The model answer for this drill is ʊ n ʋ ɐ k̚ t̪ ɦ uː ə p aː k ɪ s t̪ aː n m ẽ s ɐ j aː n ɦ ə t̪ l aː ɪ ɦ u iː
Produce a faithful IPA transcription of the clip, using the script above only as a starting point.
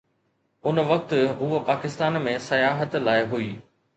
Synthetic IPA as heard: ʊ n ʋ ɐ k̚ t̪ ɦ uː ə p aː k ɪ s t̪ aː n m ẽ s ɐ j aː ɦ ə t̪ l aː ɪ ɦ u iː